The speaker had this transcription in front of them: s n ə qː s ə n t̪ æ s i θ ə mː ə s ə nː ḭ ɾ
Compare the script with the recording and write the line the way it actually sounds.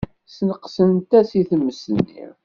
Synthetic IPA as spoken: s n ə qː s ə n t̪ æ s i θ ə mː ə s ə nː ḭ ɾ